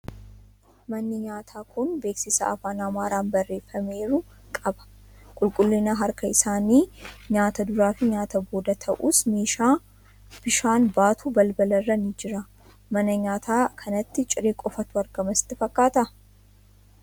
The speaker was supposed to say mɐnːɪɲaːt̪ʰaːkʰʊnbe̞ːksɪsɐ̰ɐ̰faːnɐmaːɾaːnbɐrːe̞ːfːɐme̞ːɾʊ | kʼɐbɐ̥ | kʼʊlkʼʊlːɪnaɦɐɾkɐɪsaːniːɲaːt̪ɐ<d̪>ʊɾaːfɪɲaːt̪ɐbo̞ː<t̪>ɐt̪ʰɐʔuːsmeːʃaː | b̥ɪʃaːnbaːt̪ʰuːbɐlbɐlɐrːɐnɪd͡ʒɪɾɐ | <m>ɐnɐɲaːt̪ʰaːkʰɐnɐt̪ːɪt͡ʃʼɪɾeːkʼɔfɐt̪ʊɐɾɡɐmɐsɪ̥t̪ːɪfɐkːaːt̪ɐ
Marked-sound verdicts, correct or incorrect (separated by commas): correct, incorrect, correct